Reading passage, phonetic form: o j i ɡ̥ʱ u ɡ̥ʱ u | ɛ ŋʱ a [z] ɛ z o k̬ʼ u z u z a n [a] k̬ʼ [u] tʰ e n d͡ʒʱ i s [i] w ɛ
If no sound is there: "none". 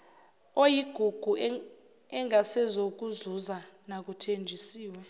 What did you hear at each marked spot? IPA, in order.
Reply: s, a, u, iː

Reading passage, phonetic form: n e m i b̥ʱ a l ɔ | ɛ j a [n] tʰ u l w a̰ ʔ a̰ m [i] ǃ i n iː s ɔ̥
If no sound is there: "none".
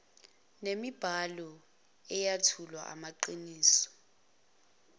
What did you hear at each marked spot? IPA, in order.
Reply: none, a

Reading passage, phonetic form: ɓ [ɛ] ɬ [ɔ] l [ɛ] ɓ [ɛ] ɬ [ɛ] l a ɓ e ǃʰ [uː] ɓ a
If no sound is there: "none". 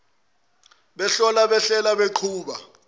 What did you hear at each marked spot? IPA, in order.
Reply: ɛ, ɔ, a, ɛ, ɛ, uː

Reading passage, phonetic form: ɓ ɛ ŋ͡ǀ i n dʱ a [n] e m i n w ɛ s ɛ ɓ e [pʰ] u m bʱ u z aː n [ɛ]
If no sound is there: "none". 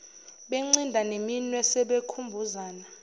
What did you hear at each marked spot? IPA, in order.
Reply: n, kʰ, a

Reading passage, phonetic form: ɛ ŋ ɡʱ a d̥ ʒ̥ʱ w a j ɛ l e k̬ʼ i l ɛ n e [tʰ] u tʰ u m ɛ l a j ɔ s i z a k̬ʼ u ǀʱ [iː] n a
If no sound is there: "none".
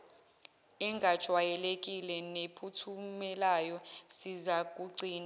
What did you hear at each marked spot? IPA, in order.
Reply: pʰ, iː

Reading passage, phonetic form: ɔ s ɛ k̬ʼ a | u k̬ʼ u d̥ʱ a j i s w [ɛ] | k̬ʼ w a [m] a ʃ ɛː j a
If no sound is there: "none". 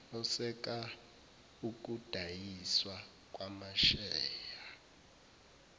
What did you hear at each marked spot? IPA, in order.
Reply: a, m

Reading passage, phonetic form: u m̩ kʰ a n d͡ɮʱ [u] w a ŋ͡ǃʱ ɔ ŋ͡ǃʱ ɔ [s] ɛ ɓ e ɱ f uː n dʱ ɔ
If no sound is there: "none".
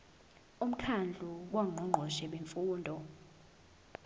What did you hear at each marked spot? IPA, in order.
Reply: u, ʃ

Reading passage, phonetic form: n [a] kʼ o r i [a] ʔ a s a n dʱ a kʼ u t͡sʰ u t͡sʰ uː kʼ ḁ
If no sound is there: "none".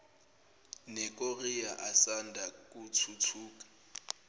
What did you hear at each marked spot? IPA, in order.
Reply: ɛ, a

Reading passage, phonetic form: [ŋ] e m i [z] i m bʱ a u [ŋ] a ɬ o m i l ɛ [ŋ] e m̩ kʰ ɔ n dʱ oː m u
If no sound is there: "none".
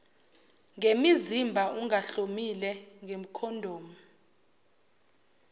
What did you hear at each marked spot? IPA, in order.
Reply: ŋ, z, ŋ, ŋ

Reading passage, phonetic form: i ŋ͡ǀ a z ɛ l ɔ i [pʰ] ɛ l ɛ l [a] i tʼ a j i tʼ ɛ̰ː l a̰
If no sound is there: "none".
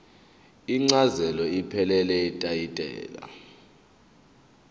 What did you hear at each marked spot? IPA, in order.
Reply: pʰ, ɛ

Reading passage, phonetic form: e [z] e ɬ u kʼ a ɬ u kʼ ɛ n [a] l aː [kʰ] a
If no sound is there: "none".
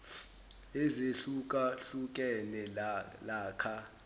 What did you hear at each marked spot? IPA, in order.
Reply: z, ɛ, kʰ

